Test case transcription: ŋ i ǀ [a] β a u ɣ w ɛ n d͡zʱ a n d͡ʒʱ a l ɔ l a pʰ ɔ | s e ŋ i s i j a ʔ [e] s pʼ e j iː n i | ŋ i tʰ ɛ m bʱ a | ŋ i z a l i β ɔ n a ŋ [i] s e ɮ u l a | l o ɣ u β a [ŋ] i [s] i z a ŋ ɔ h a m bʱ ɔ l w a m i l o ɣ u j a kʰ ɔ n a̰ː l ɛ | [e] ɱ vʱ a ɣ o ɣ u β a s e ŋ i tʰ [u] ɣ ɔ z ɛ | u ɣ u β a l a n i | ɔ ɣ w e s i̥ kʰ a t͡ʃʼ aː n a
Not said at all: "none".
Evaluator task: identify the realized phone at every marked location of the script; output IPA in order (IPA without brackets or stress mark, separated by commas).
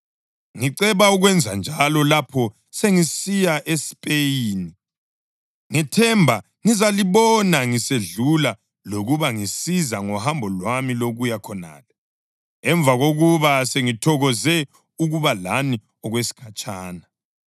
ɛ, e, i, ŋ, s, ɛ, ɔ